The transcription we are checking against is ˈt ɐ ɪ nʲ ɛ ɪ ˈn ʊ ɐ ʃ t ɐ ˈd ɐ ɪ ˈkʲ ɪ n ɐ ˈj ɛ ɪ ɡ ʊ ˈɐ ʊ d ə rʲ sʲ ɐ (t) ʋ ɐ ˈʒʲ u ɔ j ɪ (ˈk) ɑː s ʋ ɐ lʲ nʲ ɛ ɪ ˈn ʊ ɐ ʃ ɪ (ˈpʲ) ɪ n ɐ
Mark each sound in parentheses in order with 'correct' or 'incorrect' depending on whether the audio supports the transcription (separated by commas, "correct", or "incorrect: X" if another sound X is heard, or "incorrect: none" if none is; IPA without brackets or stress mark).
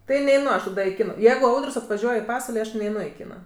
correct, incorrect: p, incorrect: kʲ